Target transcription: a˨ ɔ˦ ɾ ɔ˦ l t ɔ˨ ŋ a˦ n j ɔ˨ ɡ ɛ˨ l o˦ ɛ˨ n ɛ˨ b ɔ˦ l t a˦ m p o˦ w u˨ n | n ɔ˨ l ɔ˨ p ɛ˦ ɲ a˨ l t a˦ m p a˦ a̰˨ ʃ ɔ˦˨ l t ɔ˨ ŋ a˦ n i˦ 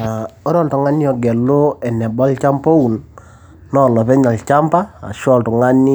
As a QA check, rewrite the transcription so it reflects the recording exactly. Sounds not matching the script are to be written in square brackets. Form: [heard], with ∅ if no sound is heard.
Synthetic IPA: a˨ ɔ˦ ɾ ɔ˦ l t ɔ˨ ŋ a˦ n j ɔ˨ ɡ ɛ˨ l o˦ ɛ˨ n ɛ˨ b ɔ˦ l [t͡ʃ] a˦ m p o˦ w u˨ n | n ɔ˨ l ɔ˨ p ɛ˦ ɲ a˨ l [t͡ʃ] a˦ m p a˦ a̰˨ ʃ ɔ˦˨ l t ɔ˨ ŋ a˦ n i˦

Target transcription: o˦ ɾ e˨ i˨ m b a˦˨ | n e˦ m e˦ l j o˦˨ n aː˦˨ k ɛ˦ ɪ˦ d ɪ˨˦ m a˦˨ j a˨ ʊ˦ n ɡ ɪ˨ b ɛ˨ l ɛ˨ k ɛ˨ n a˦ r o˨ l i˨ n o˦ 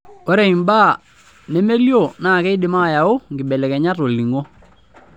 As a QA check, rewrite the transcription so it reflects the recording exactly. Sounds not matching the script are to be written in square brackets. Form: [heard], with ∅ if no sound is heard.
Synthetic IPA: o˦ ɾ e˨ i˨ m b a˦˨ | n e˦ m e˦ l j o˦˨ n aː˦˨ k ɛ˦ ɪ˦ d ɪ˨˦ m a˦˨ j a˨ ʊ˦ [ŋ] ɡ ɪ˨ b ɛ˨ l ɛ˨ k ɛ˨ [ɲ] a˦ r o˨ l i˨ [ŋ] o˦

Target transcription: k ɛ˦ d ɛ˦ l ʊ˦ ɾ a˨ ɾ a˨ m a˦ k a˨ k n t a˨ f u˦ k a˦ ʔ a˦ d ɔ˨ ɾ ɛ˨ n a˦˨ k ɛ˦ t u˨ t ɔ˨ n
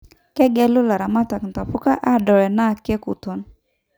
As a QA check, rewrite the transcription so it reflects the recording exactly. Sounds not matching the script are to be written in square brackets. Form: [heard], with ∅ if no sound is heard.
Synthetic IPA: k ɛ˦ [ɡ] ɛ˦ l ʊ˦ [l] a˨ ɾ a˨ m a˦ [t] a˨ k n t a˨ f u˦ k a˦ ʔ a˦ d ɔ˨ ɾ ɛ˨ n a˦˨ k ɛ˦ [k] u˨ t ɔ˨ n

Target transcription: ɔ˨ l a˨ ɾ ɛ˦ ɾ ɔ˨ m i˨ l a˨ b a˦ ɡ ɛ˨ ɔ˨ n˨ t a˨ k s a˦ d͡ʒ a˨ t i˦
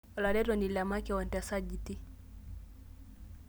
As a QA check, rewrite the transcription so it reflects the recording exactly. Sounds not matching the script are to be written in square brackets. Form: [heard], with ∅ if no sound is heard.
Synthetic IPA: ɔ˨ l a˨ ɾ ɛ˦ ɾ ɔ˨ [n] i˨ l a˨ [m] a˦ [k] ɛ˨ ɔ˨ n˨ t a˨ [∅] s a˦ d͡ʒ [i˨] t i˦

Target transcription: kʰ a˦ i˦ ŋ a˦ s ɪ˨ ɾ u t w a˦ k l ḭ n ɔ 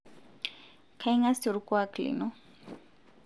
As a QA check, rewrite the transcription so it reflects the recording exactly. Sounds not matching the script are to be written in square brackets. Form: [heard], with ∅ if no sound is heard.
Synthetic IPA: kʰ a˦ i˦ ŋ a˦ s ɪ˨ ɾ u [k] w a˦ k l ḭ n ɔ

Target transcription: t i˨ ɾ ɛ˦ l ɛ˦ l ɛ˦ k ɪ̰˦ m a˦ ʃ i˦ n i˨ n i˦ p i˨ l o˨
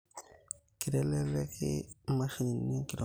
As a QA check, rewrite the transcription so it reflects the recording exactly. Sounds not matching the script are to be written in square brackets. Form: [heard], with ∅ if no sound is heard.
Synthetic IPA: [k] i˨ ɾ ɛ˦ l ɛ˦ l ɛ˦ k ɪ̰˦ m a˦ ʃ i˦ n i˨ n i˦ [k] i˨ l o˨

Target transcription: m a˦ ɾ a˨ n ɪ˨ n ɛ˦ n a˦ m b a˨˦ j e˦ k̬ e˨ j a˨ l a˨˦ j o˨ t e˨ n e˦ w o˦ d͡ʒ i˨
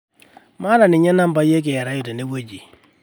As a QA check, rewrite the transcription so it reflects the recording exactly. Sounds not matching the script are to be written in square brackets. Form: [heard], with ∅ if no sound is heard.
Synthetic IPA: m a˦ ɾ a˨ n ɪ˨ [ɲ] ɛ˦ n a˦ m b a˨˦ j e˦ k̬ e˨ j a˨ [ɾ] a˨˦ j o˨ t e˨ n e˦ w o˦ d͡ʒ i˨

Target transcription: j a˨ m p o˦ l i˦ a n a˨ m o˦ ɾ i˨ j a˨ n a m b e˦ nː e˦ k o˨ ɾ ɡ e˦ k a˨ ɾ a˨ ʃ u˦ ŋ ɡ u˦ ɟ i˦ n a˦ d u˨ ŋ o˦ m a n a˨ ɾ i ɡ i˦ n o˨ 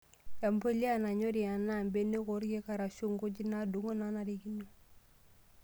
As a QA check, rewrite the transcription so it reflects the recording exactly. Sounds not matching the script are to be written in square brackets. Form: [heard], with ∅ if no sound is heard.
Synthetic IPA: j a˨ m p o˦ l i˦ a n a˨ [ɲ] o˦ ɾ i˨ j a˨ n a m b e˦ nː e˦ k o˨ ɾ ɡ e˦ k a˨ ɾ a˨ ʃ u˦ ŋ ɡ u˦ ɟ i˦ n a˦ d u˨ ŋ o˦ [n] a n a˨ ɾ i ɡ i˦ n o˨

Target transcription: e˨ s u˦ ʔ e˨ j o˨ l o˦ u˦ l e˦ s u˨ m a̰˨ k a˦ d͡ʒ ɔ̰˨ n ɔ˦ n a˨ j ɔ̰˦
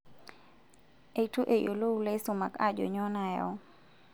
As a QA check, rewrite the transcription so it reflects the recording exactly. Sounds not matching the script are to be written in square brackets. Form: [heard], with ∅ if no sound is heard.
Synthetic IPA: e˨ [t] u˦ ʔ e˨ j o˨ l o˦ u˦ l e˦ s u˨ m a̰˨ k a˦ d͡ʒ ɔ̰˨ [ɲ] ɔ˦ n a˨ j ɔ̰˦

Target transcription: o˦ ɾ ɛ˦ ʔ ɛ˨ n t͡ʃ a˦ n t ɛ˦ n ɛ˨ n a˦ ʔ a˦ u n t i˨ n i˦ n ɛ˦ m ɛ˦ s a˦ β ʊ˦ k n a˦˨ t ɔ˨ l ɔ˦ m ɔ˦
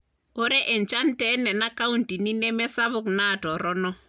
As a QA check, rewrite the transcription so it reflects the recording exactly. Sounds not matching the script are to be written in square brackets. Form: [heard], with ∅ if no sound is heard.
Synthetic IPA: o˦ ɾ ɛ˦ ʔ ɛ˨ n t͡ʃ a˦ n t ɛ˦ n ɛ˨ n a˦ [k] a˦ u n t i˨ n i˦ n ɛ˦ m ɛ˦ s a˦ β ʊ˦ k n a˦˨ t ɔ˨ [ɾ] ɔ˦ [n] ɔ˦

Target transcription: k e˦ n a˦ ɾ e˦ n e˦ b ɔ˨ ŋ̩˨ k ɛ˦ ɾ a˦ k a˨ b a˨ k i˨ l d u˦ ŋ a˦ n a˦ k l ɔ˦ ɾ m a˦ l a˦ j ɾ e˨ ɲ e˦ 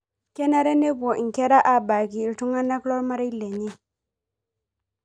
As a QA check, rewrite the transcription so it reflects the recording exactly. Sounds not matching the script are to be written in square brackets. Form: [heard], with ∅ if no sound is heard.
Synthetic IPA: k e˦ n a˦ ɾ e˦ n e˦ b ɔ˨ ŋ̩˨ k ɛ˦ ɾ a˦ [ʔ] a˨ b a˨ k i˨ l [t] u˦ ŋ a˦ n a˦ k l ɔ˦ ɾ m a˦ [ɾ] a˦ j [l] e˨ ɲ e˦

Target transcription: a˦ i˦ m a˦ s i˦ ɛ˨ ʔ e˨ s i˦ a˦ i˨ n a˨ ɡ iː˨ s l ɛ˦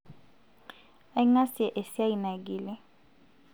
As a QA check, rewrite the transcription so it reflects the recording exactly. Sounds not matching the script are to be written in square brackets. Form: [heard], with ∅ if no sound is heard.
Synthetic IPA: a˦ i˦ [ŋ] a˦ s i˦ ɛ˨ ʔ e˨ s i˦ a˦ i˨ n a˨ ɡ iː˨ [∅] l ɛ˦

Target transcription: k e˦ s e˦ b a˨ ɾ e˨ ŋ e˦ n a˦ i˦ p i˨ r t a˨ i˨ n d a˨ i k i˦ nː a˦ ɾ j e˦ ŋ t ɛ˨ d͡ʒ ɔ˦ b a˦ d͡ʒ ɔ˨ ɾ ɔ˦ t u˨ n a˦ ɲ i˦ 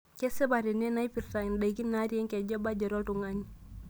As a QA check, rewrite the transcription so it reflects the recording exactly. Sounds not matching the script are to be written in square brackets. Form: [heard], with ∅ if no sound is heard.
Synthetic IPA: k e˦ s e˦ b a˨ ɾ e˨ [n] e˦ n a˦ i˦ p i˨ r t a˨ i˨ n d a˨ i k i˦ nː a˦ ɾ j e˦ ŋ [k] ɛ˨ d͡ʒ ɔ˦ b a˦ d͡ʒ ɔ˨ ɾ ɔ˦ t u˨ [ŋ] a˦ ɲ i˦

